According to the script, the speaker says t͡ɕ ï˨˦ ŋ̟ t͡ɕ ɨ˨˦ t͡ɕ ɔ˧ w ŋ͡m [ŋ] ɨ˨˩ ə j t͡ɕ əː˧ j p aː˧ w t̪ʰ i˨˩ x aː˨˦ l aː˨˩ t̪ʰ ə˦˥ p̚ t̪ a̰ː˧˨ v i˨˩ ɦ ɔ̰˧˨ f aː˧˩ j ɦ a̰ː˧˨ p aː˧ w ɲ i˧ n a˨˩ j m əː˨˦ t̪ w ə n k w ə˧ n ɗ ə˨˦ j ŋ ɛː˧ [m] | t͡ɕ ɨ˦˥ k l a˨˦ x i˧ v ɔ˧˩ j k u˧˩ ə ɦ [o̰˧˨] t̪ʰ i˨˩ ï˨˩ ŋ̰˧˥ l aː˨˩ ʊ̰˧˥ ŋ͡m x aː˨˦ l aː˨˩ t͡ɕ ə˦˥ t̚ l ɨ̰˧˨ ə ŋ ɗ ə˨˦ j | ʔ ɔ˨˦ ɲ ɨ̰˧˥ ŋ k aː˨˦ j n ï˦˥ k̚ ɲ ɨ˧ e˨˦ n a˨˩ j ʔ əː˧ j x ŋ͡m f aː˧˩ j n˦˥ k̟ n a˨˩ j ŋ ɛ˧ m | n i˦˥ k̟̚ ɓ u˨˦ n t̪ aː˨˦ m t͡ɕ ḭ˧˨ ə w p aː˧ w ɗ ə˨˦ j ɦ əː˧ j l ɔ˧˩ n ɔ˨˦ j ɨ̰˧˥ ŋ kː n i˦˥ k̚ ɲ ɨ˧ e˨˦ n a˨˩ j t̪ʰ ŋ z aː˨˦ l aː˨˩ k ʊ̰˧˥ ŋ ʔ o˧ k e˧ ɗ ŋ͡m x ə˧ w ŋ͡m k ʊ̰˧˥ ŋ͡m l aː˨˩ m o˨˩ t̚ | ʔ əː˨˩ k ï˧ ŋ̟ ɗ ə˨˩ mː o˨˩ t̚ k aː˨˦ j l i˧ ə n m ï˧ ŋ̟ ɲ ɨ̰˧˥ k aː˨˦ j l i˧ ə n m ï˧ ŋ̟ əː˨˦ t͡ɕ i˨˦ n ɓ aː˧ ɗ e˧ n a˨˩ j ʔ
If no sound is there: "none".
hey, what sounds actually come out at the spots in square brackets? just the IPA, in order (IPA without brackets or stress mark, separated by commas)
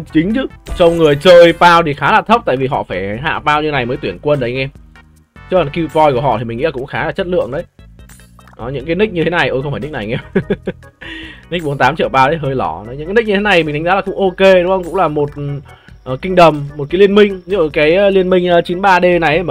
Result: ŋ, m, ɔ̰˧˨